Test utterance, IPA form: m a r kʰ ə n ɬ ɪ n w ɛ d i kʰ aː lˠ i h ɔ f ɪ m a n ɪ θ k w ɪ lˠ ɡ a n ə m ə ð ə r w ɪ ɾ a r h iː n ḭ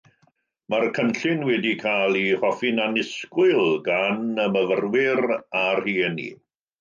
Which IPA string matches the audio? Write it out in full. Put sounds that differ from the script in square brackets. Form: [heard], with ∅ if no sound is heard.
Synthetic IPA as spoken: m a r kʰ ə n ɬ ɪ n w ɛ d i kʰ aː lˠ i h ɔ f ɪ [n] a n ɪ [s] k w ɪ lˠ ɡ a n ə m ə [v] ə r w ɪ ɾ a r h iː n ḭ